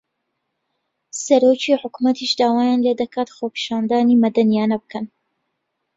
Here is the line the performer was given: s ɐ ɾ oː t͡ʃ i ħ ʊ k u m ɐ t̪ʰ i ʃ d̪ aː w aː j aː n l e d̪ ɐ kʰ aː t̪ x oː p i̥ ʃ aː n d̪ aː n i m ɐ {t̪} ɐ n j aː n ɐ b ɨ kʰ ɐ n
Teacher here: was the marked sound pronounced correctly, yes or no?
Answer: no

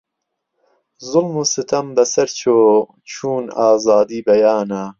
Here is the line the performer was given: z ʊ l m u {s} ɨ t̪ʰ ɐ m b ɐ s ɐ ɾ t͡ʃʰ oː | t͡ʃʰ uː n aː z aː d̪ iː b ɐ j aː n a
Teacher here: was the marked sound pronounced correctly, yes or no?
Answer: yes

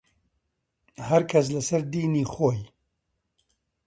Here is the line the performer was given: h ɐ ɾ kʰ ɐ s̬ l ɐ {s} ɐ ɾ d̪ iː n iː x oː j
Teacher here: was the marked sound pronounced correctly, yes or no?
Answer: yes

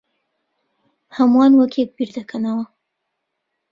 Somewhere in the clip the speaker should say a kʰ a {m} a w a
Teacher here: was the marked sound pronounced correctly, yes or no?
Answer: no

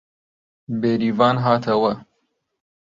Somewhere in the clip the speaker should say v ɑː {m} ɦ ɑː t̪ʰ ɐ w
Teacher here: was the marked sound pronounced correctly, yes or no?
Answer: no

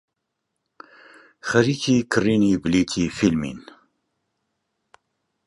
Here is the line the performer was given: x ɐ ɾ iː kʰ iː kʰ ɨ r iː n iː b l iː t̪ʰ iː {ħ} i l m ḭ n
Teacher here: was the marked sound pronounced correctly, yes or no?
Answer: no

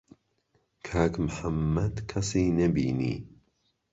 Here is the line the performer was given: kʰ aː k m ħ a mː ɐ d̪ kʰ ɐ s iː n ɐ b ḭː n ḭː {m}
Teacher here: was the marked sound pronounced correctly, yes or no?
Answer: no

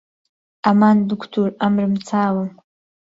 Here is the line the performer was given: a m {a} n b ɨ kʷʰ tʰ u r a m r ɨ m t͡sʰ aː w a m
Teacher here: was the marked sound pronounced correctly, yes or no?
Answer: yes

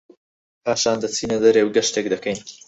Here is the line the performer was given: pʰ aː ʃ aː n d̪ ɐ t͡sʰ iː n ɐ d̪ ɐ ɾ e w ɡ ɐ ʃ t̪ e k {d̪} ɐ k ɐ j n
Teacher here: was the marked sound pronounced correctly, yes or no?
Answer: yes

